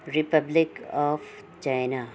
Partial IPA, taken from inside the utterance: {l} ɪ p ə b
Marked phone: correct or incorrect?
incorrect